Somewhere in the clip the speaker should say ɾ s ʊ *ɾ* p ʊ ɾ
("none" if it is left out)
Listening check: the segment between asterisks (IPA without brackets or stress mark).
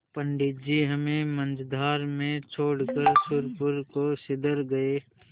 ɾ